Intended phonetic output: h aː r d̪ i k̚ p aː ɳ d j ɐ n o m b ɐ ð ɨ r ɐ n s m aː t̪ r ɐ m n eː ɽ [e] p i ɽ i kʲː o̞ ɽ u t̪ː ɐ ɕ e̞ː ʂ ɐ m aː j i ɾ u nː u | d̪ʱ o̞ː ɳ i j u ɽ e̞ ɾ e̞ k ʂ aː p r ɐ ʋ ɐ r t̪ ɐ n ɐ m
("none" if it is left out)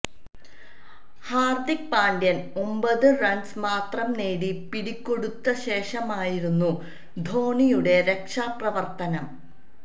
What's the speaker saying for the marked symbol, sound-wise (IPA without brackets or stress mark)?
i